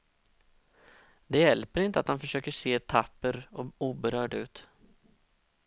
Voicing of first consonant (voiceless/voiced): voiced